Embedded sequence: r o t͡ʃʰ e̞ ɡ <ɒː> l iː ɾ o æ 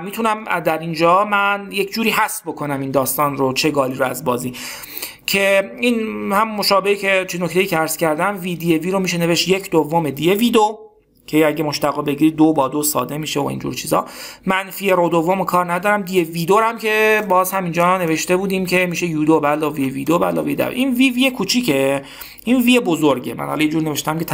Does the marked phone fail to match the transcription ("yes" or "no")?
no